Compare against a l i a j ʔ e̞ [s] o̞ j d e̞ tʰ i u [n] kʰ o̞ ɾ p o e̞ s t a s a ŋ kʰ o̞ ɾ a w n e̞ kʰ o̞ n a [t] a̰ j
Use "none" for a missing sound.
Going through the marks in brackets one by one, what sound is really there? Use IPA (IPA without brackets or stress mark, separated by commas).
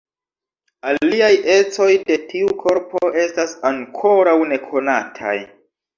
t͡s, none, tʰ